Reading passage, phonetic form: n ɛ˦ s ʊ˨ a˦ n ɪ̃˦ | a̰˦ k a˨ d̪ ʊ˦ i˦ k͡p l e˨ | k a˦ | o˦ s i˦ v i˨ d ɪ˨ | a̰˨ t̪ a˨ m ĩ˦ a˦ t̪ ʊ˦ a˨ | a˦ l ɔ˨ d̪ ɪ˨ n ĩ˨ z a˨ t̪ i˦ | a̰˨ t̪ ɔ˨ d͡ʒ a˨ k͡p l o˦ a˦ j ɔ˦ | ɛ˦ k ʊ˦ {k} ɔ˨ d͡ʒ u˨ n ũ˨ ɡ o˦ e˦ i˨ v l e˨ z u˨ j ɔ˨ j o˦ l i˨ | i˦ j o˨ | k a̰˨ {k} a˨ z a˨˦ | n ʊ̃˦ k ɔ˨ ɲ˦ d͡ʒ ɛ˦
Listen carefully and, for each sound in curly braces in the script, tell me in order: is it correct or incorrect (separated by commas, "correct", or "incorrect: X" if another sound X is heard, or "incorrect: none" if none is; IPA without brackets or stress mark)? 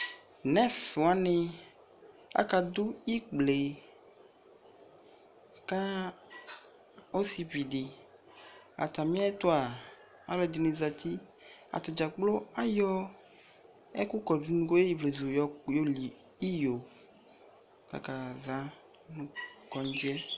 correct, correct